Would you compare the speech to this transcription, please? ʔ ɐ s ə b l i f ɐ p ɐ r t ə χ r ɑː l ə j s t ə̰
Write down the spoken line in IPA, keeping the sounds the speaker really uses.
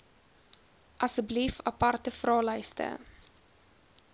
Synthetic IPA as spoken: ʔ ɐ s ə b l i f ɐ p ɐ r t ə f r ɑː l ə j s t ə̰